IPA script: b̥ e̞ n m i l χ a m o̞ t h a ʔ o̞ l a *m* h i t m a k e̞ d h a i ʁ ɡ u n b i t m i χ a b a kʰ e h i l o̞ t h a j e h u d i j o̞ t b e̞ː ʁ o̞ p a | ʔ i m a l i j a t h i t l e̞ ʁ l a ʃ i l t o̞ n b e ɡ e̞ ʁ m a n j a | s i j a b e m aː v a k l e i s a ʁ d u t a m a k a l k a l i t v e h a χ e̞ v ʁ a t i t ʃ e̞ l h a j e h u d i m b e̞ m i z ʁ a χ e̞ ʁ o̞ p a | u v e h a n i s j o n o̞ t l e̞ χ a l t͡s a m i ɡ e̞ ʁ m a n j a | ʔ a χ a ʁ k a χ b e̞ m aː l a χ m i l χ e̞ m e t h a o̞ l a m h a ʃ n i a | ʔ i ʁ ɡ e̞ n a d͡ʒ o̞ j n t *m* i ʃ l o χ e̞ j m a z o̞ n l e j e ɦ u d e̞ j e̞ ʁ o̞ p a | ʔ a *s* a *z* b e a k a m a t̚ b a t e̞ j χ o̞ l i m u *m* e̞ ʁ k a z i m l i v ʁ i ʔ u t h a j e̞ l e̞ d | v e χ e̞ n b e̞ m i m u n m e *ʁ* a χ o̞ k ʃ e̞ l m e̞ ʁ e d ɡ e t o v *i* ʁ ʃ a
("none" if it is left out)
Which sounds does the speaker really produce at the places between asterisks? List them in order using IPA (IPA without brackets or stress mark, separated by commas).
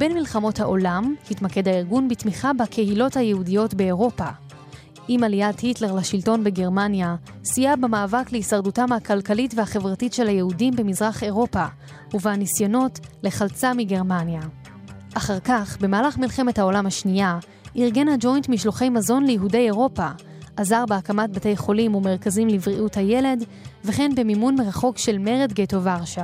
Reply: m, m, z, ʁ, m, ʁ, a